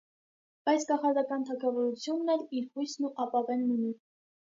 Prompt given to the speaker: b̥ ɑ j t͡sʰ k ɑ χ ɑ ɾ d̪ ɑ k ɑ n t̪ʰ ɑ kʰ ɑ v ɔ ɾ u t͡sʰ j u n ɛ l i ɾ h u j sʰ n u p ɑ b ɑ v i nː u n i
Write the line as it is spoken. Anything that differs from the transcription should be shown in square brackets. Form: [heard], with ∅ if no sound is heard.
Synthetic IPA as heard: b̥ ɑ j t͡sʰ k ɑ χ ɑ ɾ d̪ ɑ k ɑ n t̪ʰ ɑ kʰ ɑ v ɔ ɾ u t͡sʰ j u [nː] ɛ l i ɾ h u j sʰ n u [ʔ] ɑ [p] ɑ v [ɛ] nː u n i